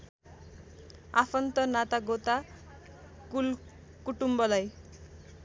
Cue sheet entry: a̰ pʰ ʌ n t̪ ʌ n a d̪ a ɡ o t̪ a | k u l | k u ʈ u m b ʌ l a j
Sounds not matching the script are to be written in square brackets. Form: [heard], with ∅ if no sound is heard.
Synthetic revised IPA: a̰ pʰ ʌ n t̪ ʌ n a [t̪] a ɡ o t̪ a | k u l | k u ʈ u m b ʌ l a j